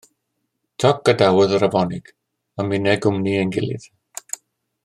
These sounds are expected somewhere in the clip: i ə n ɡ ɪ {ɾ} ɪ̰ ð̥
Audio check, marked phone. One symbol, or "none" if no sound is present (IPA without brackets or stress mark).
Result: l